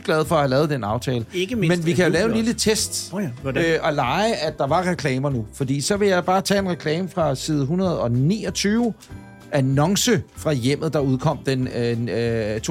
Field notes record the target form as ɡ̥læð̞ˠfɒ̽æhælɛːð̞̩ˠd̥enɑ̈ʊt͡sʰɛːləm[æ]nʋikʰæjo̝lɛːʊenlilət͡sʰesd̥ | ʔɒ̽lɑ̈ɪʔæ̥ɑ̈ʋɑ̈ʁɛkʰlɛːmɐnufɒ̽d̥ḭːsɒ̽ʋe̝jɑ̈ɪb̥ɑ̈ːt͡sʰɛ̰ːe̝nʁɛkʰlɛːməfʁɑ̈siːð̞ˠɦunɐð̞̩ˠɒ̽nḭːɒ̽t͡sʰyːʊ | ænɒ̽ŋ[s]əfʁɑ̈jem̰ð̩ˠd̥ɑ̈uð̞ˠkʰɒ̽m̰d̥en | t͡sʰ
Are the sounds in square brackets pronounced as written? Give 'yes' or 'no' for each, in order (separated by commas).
no, yes